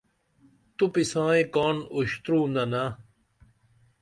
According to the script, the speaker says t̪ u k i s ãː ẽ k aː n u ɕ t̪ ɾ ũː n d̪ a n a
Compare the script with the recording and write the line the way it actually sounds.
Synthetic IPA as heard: t̪ u p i s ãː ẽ k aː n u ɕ t̪ ɾ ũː n d̪ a n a